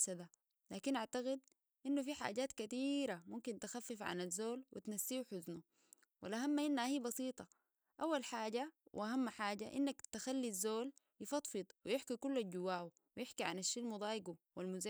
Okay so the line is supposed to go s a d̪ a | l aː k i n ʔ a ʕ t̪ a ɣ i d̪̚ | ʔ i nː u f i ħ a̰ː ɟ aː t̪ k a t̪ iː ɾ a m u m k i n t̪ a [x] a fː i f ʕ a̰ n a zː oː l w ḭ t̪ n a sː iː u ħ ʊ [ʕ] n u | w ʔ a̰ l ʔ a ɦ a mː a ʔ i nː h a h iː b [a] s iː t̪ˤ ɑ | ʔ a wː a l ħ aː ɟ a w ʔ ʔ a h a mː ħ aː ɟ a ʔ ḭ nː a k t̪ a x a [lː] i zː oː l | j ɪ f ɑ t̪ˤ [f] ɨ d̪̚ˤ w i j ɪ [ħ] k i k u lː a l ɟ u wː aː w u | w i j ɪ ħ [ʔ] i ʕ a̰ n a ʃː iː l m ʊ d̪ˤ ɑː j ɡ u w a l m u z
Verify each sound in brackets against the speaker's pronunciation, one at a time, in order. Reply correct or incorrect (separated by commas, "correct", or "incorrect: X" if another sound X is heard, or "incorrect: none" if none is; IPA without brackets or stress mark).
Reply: correct, incorrect: z, incorrect: ɑ, correct, correct, correct, incorrect: k